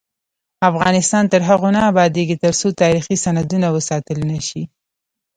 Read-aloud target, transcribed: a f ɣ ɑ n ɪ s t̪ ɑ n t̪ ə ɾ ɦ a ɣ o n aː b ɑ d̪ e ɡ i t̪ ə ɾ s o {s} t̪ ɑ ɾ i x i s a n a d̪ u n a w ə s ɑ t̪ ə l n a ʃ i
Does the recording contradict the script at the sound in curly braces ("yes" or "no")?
yes